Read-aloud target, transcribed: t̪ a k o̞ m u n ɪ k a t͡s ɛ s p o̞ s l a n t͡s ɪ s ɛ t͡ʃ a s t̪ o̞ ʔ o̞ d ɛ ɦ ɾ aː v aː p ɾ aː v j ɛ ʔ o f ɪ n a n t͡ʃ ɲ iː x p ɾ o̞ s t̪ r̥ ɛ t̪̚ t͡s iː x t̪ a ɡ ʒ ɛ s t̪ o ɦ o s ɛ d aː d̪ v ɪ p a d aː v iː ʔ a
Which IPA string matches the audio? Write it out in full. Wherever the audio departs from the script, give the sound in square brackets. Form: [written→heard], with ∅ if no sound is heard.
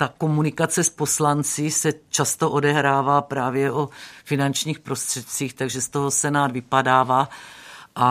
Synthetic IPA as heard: t̪ a k o̞ m u n ɪ k a t͡s ɛ s p o̞ s l a n t͡s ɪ s ɛ t͡ʃ a s t̪ o̞ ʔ o̞ d ɛ ɦ ɾ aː v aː p ɾ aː v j ɛ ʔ o f ɪ n a n t͡ʃ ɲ iː x p ɾ o̞ s t̪ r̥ ɛ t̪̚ t͡s iː x t̪ a ɡ ʒ ɛ s t̪ o ɦ o s ɛ [d→n] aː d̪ v ɪ p a d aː v [iː→aː] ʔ a